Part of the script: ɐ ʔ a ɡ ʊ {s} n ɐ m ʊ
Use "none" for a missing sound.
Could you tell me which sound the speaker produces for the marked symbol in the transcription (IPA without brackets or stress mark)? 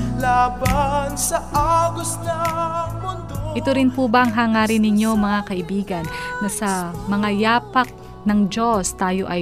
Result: s